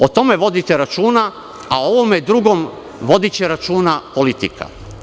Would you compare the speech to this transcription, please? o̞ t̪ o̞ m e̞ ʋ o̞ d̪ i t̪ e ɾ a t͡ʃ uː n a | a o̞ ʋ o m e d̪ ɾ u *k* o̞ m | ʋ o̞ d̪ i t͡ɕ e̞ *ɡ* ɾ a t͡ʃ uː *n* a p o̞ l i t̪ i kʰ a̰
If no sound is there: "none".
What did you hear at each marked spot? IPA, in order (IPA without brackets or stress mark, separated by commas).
ɡ, none, n